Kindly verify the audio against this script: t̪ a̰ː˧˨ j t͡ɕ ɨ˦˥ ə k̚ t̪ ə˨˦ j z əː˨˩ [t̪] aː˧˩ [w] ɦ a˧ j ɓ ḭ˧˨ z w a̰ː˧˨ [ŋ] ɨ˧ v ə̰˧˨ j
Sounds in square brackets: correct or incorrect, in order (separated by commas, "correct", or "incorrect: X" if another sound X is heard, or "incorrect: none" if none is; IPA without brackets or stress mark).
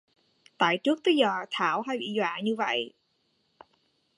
incorrect: t̪ʰ, correct, incorrect: ɲ